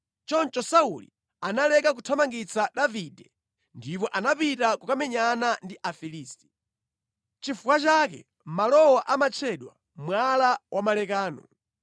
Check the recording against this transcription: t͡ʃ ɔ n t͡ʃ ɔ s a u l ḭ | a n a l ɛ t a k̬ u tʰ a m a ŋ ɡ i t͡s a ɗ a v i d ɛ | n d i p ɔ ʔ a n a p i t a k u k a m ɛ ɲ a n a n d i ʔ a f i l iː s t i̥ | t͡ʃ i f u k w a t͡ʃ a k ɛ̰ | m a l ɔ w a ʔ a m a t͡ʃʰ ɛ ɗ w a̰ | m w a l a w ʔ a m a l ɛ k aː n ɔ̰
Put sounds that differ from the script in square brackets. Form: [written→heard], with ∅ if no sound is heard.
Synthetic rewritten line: t͡ʃ ɔ n t͡ʃ ɔ s a u l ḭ | a n a l ɛ [t→k] a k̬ u tʰ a m a ŋ ɡ i t͡s a ɗ a v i d ɛ | n d i p ɔ ʔ a n a p i t a k u k a m ɛ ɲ a n a n d i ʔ a f i l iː s t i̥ | t͡ʃ i f u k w a t͡ʃ a k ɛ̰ | m a l ɔ w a ʔ a m a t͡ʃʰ ɛ ɗ w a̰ | m w a l a w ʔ a m a l ɛ k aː n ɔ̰